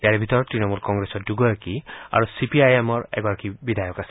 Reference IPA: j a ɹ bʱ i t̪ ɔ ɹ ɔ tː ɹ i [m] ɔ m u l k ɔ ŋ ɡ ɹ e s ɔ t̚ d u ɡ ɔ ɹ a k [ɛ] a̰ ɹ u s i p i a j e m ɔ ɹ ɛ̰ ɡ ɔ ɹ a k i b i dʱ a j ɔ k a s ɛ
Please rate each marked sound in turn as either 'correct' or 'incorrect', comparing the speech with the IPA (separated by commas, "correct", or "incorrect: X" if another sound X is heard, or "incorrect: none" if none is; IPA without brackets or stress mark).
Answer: incorrect: n, incorrect: i